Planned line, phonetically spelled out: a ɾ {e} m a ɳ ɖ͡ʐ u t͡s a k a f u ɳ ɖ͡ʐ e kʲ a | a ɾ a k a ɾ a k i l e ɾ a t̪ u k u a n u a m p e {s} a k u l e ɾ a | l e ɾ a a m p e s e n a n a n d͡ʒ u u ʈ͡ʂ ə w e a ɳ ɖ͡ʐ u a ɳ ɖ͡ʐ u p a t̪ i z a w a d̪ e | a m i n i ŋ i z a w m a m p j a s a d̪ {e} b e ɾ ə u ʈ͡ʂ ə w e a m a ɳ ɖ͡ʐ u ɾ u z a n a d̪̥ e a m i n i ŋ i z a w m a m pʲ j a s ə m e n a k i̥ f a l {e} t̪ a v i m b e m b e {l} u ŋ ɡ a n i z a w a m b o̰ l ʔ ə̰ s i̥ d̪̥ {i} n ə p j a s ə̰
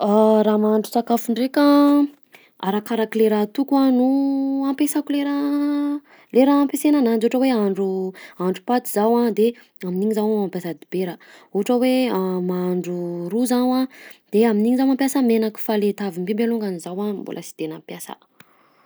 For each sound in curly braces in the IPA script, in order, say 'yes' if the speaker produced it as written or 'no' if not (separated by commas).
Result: no, yes, no, yes, yes, no